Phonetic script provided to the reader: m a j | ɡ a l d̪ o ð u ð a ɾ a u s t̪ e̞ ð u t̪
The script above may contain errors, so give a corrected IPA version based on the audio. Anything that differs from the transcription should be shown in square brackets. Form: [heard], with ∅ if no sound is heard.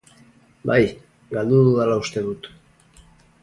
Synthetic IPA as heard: [b] a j | ɡ a l d̪ [u] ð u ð a [l] a u s t̪ e̞ ð u t̪